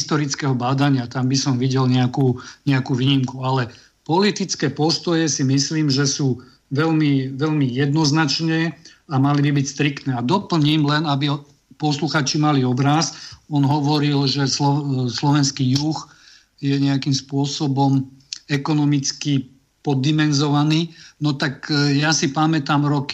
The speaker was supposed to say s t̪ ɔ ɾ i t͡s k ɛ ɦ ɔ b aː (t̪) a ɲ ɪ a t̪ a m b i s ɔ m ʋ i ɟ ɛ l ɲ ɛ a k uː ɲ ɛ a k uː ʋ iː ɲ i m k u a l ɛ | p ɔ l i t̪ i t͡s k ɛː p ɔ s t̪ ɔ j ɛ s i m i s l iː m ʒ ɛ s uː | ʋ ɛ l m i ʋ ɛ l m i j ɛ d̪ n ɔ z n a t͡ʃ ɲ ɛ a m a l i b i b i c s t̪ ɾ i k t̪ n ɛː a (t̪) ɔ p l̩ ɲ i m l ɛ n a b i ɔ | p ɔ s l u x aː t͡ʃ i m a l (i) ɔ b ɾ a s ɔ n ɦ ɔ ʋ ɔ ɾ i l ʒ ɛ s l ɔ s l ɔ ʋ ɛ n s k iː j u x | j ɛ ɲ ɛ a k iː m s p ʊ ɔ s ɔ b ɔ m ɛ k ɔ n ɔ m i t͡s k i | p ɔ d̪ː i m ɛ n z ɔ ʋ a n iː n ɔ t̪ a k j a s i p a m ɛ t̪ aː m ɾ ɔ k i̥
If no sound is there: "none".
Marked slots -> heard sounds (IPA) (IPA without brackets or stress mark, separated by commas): d̪, d̪, i